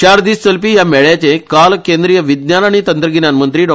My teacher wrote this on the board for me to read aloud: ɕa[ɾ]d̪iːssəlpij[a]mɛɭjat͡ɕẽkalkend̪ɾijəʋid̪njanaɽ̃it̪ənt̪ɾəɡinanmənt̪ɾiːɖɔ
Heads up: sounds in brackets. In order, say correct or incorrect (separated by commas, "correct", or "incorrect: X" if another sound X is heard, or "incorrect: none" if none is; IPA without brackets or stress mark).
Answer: correct, correct